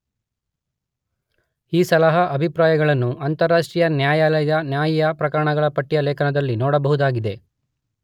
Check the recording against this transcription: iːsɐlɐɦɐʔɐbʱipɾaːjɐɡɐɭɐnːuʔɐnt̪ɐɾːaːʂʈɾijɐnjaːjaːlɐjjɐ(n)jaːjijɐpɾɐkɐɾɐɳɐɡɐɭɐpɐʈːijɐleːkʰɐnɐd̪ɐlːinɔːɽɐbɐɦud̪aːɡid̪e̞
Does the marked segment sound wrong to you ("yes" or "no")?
no